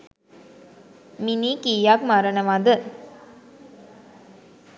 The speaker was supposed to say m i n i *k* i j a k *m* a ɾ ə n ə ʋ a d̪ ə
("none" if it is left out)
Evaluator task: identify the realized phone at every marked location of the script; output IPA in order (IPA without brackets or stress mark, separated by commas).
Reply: k, m